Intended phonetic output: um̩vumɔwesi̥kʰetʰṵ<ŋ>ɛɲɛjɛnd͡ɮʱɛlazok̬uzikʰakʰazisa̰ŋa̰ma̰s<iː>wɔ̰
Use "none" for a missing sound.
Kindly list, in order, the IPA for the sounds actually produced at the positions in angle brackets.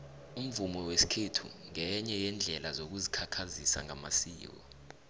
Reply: ŋ, iː

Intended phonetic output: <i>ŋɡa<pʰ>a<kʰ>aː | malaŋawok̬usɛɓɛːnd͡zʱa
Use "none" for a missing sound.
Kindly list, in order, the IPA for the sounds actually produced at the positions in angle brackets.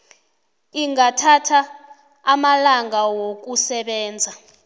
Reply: i, tʰ, tʰ

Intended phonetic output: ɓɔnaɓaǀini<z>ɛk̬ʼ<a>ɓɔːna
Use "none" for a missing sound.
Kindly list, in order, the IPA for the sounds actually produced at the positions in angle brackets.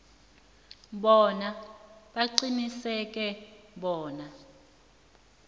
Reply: s, ɛ

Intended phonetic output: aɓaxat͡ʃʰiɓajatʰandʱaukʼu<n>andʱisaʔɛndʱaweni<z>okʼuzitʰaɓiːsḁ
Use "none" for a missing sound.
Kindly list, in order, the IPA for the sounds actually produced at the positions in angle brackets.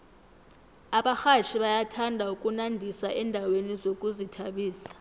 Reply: n, z

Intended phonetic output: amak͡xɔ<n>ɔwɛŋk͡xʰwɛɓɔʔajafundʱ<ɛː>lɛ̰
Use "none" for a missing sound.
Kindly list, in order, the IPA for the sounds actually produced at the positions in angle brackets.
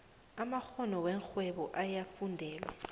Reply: n, ɛː

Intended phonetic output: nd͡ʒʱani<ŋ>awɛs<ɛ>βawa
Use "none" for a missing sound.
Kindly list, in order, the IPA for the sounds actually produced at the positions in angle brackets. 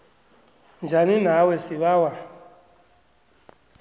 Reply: n, i

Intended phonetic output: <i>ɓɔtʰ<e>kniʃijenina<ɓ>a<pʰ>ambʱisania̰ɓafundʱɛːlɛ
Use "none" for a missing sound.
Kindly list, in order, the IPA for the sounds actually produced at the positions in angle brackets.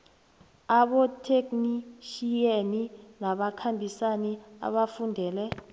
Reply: a, e, ɓ, kʰ

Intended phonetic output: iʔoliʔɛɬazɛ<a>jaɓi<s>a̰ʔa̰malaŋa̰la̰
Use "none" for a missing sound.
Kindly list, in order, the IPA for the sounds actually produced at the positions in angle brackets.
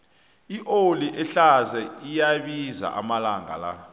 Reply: i, z

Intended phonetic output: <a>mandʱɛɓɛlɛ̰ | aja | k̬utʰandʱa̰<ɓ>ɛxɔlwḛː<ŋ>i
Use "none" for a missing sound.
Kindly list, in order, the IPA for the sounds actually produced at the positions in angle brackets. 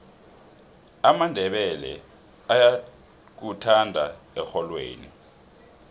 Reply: a, none, n

